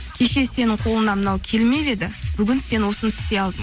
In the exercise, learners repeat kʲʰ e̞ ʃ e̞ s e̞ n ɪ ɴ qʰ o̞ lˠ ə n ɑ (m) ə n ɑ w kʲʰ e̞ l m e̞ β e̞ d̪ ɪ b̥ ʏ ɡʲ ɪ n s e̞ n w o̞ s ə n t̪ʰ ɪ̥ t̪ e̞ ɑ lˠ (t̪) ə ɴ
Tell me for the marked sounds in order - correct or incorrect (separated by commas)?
correct, incorrect